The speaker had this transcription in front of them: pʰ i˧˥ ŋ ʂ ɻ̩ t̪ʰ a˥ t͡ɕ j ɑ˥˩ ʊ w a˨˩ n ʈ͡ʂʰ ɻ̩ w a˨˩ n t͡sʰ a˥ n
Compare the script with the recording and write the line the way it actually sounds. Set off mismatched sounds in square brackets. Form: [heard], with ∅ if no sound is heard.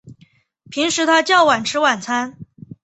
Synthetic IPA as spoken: pʰ i˧˥ ŋ ʂ ɻ̩ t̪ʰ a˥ t͡ɕ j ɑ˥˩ ʊ w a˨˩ n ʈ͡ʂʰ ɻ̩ w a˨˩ n t͡sʰ a˥ n